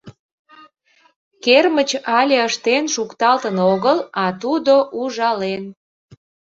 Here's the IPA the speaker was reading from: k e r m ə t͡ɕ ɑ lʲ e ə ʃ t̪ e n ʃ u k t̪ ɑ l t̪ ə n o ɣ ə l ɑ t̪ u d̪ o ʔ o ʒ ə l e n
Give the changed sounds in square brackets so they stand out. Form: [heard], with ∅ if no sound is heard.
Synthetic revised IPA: k e r m ə t͡ɕ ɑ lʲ e ə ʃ t̪ e n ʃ u k t̪ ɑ l t̪ ə n o ɣ ə l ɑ t̪ u d̪ o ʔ [u] ʒ [ɑ] l e n